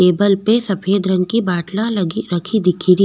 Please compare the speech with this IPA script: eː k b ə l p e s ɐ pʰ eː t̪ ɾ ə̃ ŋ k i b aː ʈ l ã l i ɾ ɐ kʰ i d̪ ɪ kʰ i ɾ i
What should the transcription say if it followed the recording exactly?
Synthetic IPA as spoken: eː b ə l p e s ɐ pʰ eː d̪ ɾ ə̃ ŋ k i b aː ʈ l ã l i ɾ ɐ kʰ i d̪ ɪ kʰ i ɾ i